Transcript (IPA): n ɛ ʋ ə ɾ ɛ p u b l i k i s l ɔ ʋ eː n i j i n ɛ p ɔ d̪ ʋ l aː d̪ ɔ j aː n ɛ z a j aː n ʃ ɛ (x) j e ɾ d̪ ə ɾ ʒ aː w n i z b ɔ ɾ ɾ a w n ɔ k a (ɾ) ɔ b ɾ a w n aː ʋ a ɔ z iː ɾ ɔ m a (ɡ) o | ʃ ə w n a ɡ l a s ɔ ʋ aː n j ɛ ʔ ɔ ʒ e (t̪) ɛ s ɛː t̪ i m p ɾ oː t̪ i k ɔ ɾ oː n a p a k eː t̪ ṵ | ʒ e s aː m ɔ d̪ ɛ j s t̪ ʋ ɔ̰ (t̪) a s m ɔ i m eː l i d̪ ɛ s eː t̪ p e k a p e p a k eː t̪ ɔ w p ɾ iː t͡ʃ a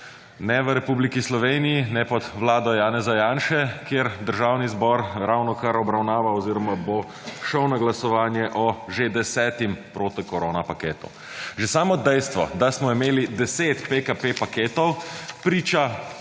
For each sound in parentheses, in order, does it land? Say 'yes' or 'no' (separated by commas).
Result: no, yes, no, no, no